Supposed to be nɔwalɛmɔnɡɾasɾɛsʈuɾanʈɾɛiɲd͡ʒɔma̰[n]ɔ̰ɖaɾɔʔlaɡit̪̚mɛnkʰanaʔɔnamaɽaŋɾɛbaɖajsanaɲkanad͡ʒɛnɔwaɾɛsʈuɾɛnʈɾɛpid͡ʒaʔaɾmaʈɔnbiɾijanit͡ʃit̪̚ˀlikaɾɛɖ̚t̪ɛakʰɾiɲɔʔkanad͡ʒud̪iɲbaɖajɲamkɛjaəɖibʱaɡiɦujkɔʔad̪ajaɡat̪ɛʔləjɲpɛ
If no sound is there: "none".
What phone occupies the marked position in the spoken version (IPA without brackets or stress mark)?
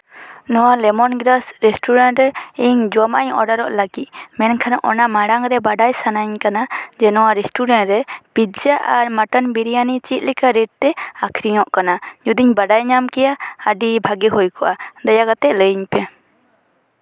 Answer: ɲ